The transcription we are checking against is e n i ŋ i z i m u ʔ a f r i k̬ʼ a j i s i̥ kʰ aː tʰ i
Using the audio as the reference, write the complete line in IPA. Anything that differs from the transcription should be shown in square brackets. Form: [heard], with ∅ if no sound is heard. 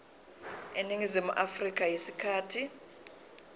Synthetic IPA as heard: e n i ŋ i z i m u ʔ a f r i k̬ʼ a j i s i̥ kʰ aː tʰ i

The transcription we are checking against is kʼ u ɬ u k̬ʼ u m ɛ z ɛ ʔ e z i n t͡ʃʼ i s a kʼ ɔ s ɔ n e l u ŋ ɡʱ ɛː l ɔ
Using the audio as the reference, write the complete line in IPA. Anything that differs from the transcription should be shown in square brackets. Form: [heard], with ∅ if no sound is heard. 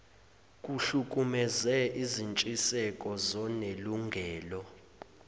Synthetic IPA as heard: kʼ u ɬ u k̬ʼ u m ɛ z ɛ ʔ [i] z i n t͡ʃʼ i s [ɛ] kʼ ɔ [z] ɔ n e l u ŋ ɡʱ ɛː l ɔ

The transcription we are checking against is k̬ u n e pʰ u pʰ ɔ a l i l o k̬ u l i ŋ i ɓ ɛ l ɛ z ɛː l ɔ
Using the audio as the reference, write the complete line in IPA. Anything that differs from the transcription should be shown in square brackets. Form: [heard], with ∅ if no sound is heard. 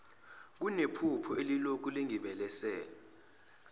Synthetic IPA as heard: k̬ u n e pʰ u pʰ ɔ [e] l i l o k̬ u l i ŋ i ɓ ɛ l ɛ [s] ɛː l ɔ

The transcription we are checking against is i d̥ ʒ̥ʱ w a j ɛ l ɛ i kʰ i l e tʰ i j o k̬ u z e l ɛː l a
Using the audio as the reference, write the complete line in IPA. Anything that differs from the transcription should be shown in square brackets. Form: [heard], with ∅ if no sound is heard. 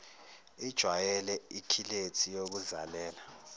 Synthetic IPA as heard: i d̥ ʒ̥ʱ w a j ɛ l ɛ i kʰ i l e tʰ i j o k̬ u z [a] l ɛː l a

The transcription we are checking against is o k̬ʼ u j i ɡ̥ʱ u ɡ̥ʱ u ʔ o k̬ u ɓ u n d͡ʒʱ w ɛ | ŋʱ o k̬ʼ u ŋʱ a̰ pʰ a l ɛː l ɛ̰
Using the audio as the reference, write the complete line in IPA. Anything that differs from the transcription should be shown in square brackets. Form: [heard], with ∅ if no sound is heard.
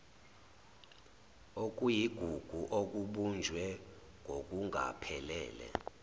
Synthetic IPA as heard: o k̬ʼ u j i ɡ̥ʱ u ɡ̥ʱ u ʔ o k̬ u ɓ u n d͡ʒʱ w ɛ | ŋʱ o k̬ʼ u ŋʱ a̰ pʰ [ɛ] l ɛː l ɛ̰

